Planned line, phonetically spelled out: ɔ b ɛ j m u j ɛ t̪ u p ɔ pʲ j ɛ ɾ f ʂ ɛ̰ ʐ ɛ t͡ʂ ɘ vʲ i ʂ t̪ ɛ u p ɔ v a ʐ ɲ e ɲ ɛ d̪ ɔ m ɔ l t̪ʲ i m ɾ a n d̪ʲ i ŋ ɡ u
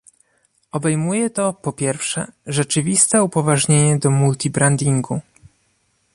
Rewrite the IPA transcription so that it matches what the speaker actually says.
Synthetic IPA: ɔ b ɛ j m u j ɛ t̪ ɔ p ɔ pʲ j ɛ ɾ f ʂ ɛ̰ ʐ ɛ t͡ʂ ɘ vʲ i s t̪ ɛ u p ɔ v a ʐ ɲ e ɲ ɛ d̪ ɔ m u l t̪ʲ i b ɾ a n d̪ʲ i ŋ ɡ u

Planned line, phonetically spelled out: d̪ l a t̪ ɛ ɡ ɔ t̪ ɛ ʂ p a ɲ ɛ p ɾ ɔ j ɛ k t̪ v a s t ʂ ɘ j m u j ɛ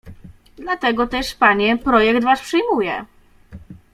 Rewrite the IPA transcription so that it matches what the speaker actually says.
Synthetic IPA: d̪ l a t̪ ɛ ɡ ɔ t̪ ɛ ʂ p a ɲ ɛ p ɾ ɔ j ɛ k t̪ v a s p ʂ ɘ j m u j ɛ

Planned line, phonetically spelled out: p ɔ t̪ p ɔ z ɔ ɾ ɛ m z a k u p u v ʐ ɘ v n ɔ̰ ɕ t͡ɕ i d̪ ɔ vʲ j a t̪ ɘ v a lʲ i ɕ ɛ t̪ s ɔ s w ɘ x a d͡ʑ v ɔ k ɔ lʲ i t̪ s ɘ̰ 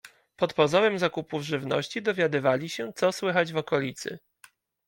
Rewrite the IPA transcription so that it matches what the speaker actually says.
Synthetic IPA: p ɔ t̪ p ɔ z ɔ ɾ ɛ m z a k u p u v ʐ ɘ v n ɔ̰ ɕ t͡ɕ i d̪ ɔ vʲ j a d̪ ɘ v a lʲ i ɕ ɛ t̪ s ɔ s w ɘ x a d͡ʑ v ɔ k ɔ lʲ i t̪ s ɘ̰

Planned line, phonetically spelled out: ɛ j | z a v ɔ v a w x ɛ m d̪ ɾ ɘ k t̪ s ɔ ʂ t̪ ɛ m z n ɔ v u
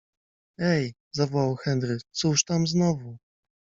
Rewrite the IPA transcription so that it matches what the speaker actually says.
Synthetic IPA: ɛ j | z a v ɔ w a w x ɛ n d̪ ɾ ɘ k t̪ s u ʂ t̪ a m z n ɔ v u

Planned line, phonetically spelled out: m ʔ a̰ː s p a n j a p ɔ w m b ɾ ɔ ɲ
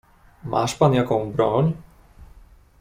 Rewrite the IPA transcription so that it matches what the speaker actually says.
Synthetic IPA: m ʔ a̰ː ʃ p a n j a k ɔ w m b ɾ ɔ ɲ

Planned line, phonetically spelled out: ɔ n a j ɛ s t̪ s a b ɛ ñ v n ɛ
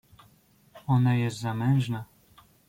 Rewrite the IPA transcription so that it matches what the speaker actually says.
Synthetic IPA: ɔ n a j ɛ s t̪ z a m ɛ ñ ʐ n a

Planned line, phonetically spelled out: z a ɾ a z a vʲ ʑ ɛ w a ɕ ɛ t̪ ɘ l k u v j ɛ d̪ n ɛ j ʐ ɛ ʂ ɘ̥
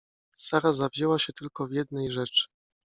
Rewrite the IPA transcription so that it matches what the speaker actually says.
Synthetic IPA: s a ɾ a z a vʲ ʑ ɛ w a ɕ ɛ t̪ ɘ l k ɔ v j ɛ d̪ n ɛ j ʐ ɛ t͡ʂ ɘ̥

